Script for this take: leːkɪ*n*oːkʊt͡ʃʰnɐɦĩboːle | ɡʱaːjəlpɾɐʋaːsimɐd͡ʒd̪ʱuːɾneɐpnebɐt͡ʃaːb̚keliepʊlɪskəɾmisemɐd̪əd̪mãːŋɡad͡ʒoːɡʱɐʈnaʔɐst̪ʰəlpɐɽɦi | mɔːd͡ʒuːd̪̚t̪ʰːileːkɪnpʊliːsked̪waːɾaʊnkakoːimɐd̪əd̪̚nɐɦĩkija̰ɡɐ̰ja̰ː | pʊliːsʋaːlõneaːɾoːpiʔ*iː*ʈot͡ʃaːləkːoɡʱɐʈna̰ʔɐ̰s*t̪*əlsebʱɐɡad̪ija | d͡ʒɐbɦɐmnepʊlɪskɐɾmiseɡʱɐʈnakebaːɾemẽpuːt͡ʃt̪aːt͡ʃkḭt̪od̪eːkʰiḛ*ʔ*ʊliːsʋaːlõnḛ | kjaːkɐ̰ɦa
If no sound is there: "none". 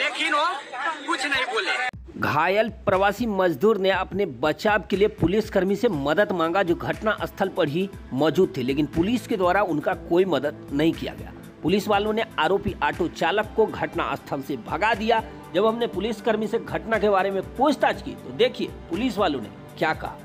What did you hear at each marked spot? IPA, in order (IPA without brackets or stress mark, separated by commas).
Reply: n, aː, t̪ʰ, p